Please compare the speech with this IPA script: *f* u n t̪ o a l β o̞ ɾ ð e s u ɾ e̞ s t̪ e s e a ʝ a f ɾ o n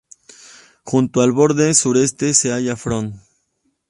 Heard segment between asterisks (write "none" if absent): x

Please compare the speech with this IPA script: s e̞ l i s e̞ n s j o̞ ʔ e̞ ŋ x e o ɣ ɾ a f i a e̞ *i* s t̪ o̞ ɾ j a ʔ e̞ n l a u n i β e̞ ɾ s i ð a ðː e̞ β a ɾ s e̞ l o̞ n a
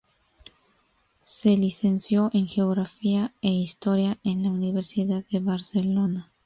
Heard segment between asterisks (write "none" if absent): i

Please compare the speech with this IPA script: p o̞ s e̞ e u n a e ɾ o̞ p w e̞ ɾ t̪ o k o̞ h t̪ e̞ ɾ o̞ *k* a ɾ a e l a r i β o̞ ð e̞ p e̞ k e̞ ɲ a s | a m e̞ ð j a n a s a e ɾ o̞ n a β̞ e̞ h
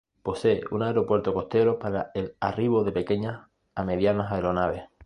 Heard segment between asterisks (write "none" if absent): p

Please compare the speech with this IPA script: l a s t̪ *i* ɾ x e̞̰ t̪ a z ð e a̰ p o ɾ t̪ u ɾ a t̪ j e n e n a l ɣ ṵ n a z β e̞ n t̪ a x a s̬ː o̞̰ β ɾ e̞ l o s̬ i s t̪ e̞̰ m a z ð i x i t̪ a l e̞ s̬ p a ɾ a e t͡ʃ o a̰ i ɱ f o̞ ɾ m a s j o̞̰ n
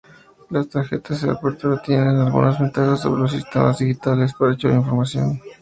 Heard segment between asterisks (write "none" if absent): a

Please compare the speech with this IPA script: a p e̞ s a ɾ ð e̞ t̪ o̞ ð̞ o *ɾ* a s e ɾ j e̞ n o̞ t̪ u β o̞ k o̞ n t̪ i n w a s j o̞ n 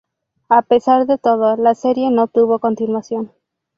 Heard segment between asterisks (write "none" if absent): l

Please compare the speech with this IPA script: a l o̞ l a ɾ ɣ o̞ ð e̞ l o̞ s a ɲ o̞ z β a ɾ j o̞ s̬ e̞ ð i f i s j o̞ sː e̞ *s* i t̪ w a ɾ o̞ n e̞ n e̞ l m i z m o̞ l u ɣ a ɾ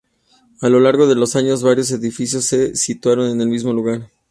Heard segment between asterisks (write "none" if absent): s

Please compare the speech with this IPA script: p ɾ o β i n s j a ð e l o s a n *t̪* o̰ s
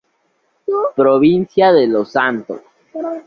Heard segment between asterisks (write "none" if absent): t̪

